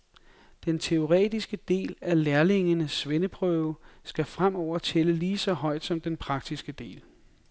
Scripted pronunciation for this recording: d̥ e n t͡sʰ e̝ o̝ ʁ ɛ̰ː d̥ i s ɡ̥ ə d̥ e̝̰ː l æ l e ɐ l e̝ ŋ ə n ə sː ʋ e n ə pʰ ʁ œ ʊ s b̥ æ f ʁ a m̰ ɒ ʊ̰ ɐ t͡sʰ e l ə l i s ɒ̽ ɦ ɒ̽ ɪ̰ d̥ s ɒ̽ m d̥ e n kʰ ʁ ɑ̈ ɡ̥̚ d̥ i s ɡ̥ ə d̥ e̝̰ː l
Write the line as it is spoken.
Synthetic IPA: d̥ e n t͡sʰ e̝ o̝ ʁ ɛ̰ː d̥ i s ɡ̥ ə d̥ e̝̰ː l æ l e ɐ l e̝ ŋ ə n ə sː ʋ e n ə pʰ ʁ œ ʊ s ɡ̥ æ f ʁ a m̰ ɒ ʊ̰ ɐ t͡sʰ e l ə l iː s ɒ̽ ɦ ɒ̽ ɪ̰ d̥ s ɒ̽ m d̥ e n pʰ ʁ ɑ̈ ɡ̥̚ d̥ i s ɡ̥ ə d̥ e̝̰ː l